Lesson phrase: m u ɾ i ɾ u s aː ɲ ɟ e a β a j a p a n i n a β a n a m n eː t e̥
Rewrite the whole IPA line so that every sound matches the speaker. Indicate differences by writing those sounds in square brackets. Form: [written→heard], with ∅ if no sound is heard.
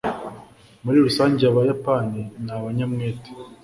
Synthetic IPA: m u ɾ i ɾ u s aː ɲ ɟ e a β a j a p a n i n a β a [n→ɲ] a m [n→ŋ] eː t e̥